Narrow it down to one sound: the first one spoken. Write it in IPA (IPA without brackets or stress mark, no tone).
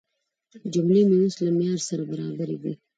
d͡ʒ